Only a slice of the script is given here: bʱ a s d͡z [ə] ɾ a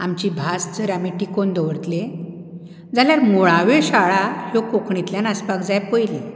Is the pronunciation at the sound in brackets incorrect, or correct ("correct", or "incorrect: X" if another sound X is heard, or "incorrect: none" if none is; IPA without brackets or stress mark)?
correct